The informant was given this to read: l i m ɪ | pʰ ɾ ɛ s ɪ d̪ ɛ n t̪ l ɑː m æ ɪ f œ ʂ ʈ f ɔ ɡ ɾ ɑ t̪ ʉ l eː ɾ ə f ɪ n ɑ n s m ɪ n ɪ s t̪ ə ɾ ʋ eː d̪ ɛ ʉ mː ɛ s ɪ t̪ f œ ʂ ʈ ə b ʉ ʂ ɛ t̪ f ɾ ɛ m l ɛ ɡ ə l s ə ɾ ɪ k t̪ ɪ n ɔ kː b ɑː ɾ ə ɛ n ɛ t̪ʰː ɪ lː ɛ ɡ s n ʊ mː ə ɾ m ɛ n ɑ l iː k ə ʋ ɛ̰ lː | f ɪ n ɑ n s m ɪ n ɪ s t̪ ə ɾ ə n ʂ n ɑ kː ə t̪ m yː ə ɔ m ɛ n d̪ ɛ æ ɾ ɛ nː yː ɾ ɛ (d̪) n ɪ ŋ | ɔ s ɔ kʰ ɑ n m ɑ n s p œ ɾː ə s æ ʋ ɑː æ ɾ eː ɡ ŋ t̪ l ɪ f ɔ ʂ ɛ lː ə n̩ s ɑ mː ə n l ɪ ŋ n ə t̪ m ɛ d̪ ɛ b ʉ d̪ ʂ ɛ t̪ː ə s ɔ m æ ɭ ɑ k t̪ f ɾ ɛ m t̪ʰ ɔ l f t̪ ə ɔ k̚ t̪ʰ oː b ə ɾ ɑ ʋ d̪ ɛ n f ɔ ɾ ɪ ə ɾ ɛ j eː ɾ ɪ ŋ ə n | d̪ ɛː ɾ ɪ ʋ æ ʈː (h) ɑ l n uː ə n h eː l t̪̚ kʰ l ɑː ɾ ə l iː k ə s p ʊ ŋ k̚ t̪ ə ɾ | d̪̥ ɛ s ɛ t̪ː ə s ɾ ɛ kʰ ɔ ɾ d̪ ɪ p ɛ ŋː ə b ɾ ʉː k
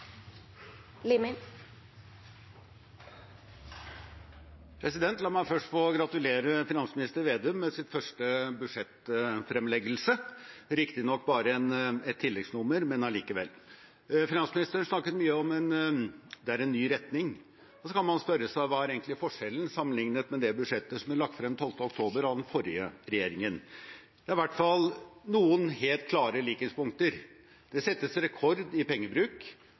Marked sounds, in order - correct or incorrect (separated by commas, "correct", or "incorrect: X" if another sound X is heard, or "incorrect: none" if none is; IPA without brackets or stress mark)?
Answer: incorrect: t̪, incorrect: f